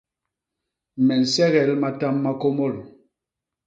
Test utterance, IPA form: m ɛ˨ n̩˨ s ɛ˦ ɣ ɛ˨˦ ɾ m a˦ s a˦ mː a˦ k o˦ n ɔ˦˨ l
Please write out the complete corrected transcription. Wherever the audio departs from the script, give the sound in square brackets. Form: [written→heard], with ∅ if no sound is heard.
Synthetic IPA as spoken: m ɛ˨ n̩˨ s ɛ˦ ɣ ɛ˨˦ [ɾ→l] m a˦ [s→t] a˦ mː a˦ k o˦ [n→m] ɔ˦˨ l